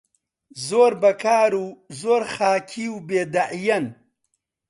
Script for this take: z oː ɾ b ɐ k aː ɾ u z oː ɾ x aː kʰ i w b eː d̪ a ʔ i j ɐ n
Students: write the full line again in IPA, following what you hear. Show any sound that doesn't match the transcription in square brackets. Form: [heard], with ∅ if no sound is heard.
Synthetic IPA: z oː ɾ b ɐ k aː ɾ u z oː ɾ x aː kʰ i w b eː d̪ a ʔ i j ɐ n